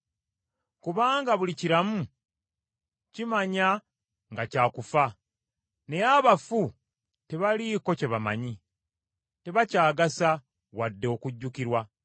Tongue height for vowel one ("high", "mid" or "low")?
high